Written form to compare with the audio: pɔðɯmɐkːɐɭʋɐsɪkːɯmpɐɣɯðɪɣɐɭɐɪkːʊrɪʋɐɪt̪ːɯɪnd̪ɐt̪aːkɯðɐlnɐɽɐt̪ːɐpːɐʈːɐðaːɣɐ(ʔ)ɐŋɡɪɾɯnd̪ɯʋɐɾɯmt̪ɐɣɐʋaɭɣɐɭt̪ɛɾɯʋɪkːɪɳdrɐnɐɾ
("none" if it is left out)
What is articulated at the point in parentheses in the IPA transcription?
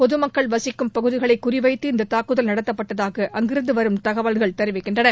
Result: ʔ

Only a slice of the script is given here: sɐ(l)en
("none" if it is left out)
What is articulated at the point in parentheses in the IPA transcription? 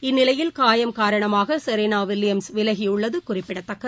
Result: ɾ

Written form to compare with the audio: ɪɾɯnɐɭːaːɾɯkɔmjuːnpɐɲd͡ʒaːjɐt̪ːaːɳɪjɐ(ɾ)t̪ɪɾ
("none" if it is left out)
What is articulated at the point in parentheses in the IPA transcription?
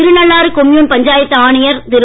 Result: ɾ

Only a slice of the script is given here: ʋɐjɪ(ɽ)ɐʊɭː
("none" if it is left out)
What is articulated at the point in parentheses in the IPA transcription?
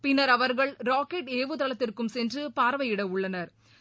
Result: ɽ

